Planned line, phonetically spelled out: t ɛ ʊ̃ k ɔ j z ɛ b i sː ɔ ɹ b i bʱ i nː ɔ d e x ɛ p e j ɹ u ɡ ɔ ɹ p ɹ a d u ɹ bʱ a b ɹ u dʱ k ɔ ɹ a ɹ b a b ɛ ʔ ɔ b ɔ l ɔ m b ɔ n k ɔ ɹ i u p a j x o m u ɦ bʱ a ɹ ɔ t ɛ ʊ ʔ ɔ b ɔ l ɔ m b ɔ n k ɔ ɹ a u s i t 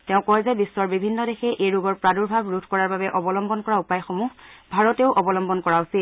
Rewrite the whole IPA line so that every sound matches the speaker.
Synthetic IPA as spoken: t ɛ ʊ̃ k ɔ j z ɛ b i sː ɔ ɹ b i bʱ i nː ɔ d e x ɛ ʔ e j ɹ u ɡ ɔ ɹ p ɹ a d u ɹ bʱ a b ɹ u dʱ k ɔ ɹ a ɹ b a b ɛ ʔ ɔ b ɔ l ɔ m b ɔ n k ɔ ɹ a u p a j x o m u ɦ bʱ a ɹ ɔ t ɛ ʊ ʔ ɔ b ɔ l ɔ m b ɔ n k ɔ ɹ a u s i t